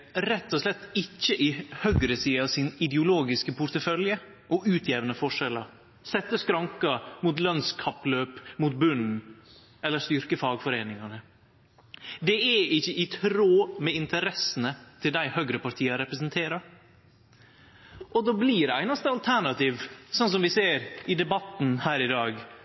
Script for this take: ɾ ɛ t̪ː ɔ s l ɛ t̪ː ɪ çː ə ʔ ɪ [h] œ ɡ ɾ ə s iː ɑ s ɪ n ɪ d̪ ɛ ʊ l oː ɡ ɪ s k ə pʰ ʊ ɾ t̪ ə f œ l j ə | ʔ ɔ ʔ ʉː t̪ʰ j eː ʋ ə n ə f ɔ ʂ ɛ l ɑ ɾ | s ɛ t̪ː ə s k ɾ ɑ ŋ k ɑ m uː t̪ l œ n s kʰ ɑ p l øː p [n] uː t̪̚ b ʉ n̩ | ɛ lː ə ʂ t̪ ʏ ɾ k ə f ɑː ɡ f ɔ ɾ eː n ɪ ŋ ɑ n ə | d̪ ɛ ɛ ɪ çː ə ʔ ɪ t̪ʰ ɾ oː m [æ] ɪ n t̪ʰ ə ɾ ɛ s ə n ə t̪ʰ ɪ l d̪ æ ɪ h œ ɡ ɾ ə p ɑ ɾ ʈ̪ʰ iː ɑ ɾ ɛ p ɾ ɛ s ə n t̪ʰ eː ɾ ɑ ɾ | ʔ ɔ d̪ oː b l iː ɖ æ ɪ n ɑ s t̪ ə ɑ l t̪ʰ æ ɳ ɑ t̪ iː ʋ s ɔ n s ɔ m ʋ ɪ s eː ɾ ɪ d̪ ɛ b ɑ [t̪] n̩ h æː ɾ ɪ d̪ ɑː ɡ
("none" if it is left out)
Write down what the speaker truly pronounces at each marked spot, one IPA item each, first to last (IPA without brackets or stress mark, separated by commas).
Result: h, m, ɛ, t̪